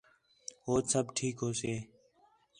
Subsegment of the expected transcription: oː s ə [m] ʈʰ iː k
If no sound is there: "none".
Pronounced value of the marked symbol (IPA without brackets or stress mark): b